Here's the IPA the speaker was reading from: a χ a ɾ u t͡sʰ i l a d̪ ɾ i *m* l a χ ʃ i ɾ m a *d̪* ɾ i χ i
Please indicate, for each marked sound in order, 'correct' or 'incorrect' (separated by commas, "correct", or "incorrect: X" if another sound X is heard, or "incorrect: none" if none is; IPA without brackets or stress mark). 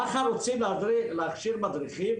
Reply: incorrect: none, correct